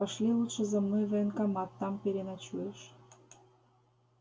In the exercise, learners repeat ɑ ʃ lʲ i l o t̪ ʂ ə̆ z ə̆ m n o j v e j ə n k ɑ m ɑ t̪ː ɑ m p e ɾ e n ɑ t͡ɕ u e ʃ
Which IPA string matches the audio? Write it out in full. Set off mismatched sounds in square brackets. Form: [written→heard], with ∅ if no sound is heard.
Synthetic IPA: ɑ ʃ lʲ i l [o→u] t̪ [ʂ→ʃ] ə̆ z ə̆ m n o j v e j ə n k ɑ m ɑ t̪ː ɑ m p e ɾ e n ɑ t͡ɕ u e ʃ